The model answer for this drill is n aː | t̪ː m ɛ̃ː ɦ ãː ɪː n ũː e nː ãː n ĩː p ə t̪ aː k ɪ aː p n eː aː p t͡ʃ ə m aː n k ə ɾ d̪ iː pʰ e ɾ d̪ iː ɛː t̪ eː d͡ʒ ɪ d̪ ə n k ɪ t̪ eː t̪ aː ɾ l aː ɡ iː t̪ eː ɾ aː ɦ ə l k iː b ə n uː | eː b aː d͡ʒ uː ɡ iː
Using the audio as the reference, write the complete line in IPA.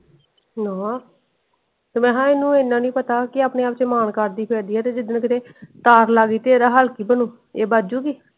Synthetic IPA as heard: n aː | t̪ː m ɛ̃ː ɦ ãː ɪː n ũː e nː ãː n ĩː p ə t̪ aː k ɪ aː p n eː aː p t͡ʃ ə m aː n k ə ɾ d̪ iː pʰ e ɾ d̪ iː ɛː t̪ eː d͡ʒ ɪ d̪ ə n k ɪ t̪ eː t̪ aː ɾ l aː ɡ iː t̪ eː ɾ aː ɦ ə l k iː b ə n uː | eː b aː d͡ʒ uː ɡ iː